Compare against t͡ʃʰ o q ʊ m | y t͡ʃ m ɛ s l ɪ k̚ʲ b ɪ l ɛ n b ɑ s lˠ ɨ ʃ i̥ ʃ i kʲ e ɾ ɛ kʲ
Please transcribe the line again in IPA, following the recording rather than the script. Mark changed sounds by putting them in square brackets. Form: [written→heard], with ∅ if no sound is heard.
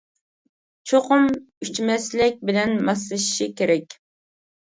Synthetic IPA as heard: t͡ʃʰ o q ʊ m | y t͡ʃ m ɛ s l ɪ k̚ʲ b ɪ l ɛ n [b→m] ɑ s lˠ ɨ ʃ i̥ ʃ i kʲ e ɾ ɛ kʲ